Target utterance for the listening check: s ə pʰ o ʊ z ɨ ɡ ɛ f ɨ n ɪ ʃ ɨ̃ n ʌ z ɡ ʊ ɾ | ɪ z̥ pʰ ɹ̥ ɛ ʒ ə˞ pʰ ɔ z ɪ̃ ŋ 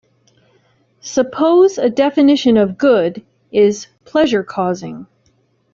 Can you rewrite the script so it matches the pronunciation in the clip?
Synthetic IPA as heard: s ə pʰ o ʊ z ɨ d ɛ f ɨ n ɪ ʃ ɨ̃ n ʌ v ɡ ʊ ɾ | ɪ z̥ pʰ l̥ ɛ ʒ ə˞ kʰ ɔ z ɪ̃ ŋ